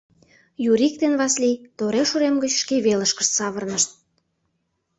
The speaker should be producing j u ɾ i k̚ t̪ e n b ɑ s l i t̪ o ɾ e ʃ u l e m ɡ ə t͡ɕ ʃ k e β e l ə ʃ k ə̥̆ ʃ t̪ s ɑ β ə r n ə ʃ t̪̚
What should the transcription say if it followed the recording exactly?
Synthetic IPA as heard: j u ɾ i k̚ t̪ e n β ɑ s l i t̪ o ɾ e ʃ u ɾ e m ɡ ə t͡ɕ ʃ k e β e l ə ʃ k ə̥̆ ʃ t̪ s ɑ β ə r n ə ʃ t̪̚